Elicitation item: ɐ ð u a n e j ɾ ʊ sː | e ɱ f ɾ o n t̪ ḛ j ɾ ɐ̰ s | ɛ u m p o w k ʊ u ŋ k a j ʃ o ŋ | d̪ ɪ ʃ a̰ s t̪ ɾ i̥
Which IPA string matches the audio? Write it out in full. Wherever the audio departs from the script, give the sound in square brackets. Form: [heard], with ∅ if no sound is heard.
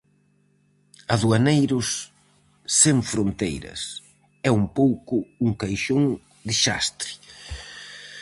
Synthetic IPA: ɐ ð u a n e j ɾ ʊ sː | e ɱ f ɾ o n t̪ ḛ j ɾ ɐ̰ s | ɛ u m p o w k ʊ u ŋ k a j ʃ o ŋ | d̪ ɪ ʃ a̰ s t̪ ɾ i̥